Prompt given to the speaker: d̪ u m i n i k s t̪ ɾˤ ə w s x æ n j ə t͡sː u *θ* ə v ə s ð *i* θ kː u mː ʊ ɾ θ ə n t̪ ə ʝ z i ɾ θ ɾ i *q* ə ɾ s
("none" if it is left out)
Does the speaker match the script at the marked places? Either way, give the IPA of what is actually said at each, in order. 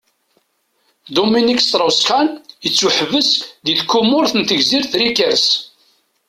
ħ, i, k

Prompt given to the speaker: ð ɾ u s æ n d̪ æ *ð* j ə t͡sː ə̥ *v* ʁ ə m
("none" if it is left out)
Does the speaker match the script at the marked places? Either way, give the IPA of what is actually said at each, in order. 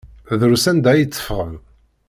none, f

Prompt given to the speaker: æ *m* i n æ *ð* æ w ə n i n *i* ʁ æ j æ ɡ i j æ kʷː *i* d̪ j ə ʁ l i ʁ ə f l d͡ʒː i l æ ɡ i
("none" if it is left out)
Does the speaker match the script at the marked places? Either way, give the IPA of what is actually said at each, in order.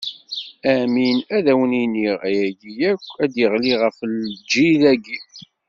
m, ð, i, æ

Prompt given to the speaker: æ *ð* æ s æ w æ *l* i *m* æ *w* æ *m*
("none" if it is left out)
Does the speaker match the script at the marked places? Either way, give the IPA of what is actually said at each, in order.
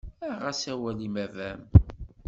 ʁ, l, m, v, m

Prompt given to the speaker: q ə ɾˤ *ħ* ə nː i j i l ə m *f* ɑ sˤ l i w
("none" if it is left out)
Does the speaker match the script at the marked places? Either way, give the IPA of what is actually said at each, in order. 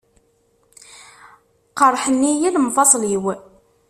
ħ, f

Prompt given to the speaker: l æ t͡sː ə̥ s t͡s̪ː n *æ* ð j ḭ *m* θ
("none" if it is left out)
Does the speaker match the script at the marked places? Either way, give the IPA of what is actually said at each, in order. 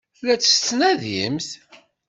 æ, m

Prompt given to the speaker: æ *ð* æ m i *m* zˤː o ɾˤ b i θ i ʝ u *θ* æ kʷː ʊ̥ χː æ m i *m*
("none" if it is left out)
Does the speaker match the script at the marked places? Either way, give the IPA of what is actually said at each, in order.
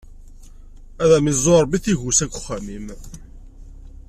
ð, none, s, m

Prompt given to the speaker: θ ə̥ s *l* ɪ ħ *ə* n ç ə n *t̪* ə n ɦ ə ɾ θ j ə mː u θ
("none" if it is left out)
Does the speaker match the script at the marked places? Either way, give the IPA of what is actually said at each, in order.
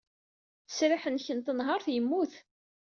ɾ, ə, t̪

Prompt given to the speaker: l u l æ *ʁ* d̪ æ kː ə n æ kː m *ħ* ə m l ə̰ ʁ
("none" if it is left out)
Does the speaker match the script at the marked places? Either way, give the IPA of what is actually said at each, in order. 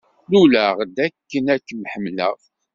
ʁ, ħ

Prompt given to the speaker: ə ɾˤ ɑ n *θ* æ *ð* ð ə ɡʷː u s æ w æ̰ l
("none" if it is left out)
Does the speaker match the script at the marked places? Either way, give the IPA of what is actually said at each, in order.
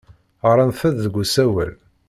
θ, ð

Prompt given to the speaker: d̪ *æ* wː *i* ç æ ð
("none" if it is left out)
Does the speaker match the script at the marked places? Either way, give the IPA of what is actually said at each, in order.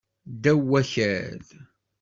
æ, æ

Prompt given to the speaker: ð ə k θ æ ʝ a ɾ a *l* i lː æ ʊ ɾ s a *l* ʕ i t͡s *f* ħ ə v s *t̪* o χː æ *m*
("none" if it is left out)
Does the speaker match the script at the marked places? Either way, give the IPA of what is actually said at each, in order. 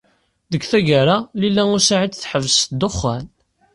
l, none, θ, d̪, n

